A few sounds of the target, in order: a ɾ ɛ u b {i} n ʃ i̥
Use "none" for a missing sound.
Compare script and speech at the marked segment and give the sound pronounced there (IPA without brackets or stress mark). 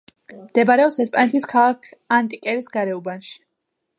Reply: a